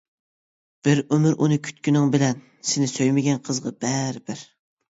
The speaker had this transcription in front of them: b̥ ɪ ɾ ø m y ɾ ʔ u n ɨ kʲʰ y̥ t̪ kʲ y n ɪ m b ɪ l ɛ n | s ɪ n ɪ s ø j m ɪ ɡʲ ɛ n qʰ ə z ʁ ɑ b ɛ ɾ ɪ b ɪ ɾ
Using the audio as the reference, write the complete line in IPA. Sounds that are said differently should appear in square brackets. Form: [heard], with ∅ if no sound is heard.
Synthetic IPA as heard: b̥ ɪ ɾ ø m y ɾ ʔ u n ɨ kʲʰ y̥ t̪ kʲ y n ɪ [ŋ] b ɪ l ɛ n | s ɪ n ɪ s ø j m ɪ ɡʲ ɛ n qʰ ə z ʁ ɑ b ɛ ɾ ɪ b ɪ ɾ

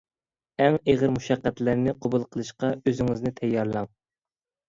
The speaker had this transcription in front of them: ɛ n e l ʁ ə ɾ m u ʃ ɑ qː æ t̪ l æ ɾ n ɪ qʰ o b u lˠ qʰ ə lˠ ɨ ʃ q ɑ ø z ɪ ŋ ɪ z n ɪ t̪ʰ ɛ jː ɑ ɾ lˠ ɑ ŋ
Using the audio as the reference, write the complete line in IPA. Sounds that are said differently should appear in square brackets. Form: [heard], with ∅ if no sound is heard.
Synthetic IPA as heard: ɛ [ŋ] e [∅] ʁ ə ɾ m u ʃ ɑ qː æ t̪ l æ ɾ n ɪ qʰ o b u lˠ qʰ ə lˠ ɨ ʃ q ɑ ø z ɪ ŋ ɪ z n ɪ t̪ʰ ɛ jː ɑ ɾ lˠ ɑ ŋ

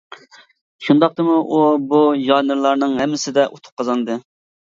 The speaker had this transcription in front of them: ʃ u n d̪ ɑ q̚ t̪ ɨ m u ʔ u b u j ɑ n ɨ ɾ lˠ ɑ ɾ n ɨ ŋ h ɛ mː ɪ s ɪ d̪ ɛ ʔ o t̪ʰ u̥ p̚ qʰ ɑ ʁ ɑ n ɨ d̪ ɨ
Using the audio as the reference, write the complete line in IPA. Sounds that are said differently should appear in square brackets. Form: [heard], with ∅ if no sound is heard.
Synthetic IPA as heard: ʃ u n d̪ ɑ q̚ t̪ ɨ m u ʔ u b u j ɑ n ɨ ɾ lˠ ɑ ɾ n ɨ ŋ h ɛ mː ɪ s ɪ d̪ ɛ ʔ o t̪ʰ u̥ p̚ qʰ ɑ [z] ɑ n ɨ d̪ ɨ

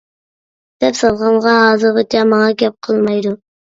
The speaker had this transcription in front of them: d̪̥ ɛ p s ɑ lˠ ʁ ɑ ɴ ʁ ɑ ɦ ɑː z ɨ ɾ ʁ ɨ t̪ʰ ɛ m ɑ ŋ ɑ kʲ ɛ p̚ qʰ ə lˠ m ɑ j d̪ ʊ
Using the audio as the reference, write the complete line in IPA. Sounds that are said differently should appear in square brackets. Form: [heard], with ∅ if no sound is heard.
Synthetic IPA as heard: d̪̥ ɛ p s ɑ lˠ ʁ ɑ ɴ ʁ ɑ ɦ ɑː z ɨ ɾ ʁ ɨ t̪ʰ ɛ m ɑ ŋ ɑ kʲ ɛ p̚ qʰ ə lˠ m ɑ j d̪ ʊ

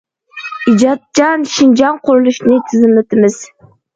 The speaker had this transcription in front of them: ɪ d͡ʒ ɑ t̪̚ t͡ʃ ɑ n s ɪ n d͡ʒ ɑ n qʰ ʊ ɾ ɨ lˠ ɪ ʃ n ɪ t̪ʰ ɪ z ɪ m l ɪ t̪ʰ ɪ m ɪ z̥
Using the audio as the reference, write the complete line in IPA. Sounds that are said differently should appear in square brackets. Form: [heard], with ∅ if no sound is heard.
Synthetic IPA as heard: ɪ d͡ʒ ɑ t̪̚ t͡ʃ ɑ n [ʃ] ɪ n d͡ʒ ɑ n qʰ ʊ ɾ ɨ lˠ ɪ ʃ n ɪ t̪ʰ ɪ z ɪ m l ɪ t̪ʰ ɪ m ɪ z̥

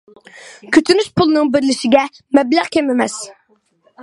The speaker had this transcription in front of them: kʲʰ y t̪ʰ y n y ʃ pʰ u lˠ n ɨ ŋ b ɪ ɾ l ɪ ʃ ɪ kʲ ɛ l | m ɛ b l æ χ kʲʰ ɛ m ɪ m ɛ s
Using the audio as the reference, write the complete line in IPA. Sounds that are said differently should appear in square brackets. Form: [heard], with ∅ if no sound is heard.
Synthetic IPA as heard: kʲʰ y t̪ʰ y n y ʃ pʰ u lˠ n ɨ ŋ b ɪ ɾ l ɪ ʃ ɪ [ɡʲ] ɛ [∅] | m ɛ b l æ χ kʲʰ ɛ m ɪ m ɛ s

